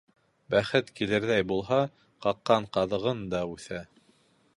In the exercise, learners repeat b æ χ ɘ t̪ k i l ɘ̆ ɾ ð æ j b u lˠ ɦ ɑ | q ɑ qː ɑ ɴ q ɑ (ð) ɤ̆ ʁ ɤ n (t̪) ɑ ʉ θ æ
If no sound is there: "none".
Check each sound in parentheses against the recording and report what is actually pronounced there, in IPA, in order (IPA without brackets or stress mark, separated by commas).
ð, d̪